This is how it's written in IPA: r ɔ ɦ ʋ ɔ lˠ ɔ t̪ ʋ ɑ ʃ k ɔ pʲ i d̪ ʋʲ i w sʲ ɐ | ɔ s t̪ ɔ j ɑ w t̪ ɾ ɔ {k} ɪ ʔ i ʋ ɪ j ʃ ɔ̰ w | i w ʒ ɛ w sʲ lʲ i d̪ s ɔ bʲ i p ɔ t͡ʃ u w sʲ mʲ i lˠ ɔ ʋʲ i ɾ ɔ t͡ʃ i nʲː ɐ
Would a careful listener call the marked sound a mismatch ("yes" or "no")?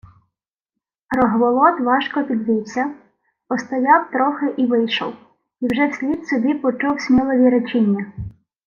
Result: yes